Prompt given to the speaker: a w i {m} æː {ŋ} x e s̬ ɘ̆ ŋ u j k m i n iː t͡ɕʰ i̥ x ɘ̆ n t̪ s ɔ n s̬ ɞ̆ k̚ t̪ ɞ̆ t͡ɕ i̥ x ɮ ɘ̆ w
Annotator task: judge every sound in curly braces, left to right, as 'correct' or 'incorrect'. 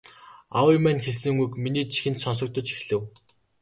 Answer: correct, incorrect: n

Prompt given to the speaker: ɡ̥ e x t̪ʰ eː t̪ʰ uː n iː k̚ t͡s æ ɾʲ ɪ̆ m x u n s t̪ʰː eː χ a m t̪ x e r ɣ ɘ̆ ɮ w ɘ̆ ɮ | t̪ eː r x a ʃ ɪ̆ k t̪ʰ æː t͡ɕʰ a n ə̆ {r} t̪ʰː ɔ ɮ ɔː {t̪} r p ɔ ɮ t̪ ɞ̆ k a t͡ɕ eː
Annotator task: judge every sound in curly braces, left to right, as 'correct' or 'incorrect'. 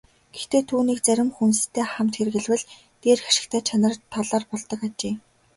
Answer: correct, incorrect: none

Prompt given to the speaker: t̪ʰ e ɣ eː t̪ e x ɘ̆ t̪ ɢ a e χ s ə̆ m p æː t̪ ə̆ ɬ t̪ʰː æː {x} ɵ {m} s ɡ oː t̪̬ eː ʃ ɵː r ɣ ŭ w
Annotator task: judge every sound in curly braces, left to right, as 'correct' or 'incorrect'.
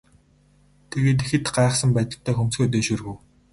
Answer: correct, correct

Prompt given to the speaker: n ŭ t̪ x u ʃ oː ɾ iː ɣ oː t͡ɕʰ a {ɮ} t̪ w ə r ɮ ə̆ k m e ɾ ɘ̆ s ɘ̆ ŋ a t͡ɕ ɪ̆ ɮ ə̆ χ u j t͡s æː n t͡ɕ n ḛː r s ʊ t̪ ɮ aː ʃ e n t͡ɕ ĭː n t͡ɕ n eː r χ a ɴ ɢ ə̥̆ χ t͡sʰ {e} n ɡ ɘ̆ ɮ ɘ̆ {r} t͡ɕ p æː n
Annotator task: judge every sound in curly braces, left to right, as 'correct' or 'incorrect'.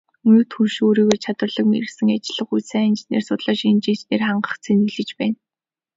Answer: incorrect: none, correct, incorrect: none

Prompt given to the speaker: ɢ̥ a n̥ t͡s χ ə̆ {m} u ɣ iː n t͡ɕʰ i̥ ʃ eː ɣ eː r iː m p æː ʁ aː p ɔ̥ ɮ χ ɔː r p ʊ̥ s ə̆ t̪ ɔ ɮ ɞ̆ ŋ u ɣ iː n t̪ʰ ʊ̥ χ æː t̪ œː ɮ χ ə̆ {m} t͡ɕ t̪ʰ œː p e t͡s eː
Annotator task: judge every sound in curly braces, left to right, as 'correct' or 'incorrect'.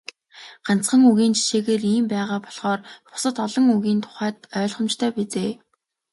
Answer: incorrect: ŋ, correct

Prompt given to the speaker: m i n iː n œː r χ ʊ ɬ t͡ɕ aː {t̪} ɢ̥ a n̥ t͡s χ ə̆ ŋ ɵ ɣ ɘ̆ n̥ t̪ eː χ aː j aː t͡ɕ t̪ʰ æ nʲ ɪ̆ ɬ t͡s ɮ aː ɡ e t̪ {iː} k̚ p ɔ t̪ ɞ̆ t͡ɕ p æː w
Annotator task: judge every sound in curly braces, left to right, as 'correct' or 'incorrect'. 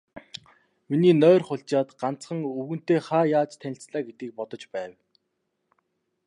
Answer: correct, correct

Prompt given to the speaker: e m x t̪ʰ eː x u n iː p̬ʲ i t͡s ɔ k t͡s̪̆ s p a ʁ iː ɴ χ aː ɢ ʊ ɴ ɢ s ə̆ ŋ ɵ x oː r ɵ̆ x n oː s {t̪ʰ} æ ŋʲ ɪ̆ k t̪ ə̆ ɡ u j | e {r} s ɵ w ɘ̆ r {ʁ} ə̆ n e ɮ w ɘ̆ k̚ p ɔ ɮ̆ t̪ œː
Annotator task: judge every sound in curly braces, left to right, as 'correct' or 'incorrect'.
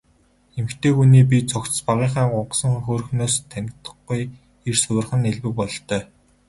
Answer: correct, correct, incorrect: χ

